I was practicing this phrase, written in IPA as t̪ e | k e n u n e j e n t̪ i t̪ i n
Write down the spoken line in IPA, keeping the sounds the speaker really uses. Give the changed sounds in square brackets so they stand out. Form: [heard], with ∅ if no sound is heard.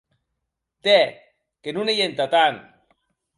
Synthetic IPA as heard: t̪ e | k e n u n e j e n t̪ [a] t̪ [a] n